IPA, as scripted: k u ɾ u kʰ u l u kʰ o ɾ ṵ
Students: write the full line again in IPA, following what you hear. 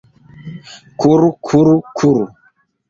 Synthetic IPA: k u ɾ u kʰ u ɾ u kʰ u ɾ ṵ